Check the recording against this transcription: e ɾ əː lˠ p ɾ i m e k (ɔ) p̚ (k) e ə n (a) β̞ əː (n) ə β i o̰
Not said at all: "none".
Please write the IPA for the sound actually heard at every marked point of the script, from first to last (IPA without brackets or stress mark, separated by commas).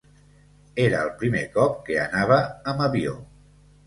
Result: ɔ, k, a, m